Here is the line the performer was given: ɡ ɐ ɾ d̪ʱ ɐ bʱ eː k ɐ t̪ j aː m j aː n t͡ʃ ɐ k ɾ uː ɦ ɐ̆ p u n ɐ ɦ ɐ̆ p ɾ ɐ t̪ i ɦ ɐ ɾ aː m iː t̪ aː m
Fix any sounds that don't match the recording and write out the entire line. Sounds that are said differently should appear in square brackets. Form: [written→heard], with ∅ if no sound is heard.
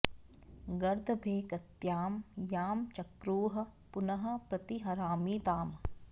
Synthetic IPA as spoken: ɡ ɐ ɾ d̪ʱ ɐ bʱ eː k ɐ t̪ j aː m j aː [n→m] t͡ʃ ɐ k ɾ uː ɦ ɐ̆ p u n ɐ ɦ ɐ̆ p ɾ ɐ t̪ i ɦ ɐ ɾ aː m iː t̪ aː m

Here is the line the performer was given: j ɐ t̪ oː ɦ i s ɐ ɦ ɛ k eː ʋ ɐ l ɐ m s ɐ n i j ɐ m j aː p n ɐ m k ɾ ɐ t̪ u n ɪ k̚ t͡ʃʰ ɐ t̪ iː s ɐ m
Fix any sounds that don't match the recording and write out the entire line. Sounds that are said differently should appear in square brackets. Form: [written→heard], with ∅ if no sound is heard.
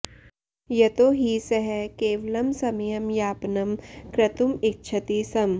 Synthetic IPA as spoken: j ɐ t̪ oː ɦ i s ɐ ɦ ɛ k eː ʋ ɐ l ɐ m s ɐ [n→m] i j ɐ m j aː p n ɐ m k ɾ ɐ t̪ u [n→m] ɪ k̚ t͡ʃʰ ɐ t̪ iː s ɐ m

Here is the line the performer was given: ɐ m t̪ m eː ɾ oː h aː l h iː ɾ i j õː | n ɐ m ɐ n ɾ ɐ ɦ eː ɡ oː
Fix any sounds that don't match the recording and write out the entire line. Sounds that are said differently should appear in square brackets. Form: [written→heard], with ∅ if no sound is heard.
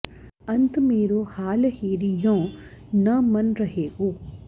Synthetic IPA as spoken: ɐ [m→n] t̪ m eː ɾ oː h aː l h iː ɾ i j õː | n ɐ m ɐ n ɾ ɐ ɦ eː ɡ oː

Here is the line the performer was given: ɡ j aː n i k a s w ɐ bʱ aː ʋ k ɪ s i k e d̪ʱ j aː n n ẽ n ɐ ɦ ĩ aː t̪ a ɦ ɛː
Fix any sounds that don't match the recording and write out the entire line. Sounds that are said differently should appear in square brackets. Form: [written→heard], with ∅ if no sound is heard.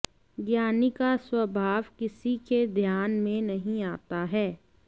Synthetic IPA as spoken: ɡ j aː n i k a s w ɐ bʱ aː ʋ k ɪ s i k e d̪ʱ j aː n [n→m] ẽ n ɐ ɦ ĩ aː t̪ a ɦ ɛː

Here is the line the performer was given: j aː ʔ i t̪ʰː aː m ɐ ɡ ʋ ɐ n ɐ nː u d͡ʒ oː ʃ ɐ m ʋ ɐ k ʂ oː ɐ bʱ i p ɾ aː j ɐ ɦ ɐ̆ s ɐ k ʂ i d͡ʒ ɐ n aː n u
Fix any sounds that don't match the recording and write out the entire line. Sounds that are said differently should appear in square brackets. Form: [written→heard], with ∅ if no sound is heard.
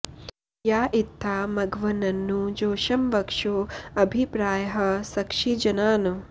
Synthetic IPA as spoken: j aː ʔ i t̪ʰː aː m ɐ ɡ ʋ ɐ n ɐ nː u d͡ʒ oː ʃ ɐ m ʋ ɐ k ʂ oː ɐ bʱ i p ɾ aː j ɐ ɦ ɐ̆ s ɐ k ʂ i d͡ʒ ɐ n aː n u

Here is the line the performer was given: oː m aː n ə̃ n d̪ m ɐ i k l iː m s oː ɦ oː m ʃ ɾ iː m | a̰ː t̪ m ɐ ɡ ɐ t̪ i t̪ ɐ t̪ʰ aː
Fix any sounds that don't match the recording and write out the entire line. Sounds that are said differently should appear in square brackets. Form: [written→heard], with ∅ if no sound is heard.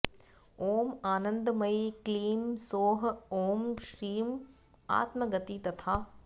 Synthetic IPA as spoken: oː m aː n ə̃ n d̪ m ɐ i k l iː m s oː ɦ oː m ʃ ɾ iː m | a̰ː t̪ m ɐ ɡ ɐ t̪ i t̪ ɐ t̪ʰ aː

